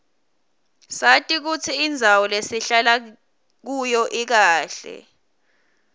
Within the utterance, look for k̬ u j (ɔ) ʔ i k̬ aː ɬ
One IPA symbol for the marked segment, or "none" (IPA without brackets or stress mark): ɔ